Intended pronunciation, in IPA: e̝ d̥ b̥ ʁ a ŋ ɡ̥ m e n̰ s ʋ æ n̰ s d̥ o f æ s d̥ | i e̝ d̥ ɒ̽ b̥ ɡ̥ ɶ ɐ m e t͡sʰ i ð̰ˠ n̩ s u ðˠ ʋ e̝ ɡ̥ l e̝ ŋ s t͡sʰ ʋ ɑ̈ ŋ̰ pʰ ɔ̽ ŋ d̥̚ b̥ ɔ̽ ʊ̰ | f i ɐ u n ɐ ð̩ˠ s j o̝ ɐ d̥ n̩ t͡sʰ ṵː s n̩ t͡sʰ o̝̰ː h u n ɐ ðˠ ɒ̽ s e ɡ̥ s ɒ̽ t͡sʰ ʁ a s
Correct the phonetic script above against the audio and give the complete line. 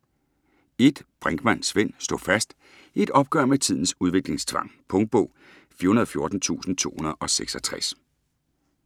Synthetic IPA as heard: e̝ d̥ b̥ ʁ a ŋ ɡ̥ m æ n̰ s ʋ e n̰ s d̥ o f æ s d̥ | i e̝ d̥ ɒ̽ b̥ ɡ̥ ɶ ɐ m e t͡sʰ i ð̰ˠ n̩ s u ðˠ ʋ e̝ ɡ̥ l e̝ ŋ s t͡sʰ ʋ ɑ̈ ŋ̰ pʰ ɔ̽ ŋ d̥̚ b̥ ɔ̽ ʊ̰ | f i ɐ u n ɐ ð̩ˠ f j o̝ ɐ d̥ n̩ t͡sʰ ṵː s n̩ t͡sʰ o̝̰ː h u n ɐ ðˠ ɒ̽ s e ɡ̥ s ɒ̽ t͡sʰ ʁ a s